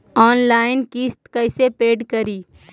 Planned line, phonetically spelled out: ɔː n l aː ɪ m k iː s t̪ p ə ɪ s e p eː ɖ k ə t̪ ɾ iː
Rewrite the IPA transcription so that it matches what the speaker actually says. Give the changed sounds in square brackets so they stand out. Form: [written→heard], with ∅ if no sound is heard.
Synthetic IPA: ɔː n l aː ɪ [m→n] k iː s t̪ [p→k] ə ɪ s e p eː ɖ k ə [t̪→∅] ɾ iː